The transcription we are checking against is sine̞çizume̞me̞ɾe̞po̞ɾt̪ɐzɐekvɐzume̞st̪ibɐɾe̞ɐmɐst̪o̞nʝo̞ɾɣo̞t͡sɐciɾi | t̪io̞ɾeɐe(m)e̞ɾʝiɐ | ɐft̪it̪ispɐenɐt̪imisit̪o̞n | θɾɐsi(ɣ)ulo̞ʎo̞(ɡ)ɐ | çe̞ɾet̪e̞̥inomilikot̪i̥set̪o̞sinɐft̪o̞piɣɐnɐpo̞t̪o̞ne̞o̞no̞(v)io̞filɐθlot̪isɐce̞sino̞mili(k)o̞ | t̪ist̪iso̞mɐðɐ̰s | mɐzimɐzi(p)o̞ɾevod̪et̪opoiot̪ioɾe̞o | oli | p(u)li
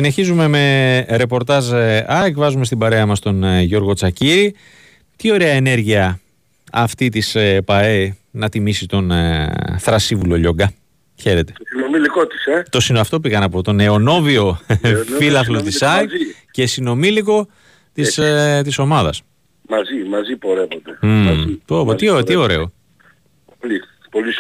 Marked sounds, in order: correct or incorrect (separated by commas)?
incorrect, incorrect, correct, correct, correct, correct, incorrect